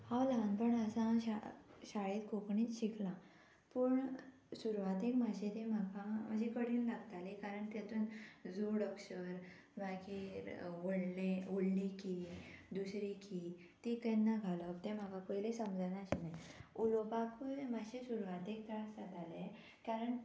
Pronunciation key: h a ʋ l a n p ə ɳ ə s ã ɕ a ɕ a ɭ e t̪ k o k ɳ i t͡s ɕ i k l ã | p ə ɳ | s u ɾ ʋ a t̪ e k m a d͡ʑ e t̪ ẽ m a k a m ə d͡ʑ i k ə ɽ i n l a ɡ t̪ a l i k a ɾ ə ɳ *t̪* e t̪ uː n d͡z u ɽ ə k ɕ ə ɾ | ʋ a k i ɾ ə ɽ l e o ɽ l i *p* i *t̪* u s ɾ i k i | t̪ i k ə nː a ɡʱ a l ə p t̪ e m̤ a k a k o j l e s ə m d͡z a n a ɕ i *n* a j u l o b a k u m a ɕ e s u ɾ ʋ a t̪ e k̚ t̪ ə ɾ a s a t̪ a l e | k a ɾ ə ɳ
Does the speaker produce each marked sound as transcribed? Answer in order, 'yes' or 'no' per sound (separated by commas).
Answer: yes, no, no, yes